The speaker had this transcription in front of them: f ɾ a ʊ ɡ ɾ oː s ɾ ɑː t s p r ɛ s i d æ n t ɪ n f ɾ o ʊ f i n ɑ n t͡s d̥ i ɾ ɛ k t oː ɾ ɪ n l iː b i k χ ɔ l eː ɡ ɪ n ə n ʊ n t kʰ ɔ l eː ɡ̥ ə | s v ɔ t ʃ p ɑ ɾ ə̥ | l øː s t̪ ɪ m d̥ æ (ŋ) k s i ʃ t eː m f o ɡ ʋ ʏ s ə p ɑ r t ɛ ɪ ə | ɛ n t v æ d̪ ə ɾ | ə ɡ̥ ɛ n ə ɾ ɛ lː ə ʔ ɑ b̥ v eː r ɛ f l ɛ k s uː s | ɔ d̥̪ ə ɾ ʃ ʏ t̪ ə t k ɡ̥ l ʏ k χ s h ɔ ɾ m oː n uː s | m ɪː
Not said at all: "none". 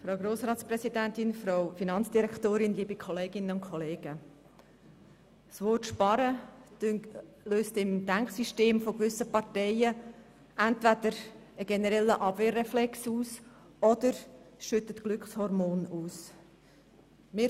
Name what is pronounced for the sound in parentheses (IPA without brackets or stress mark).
ŋ